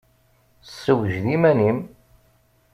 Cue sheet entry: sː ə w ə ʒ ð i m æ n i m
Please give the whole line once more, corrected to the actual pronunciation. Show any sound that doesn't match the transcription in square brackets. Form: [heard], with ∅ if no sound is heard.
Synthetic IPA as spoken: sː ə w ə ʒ ð i m æ n i m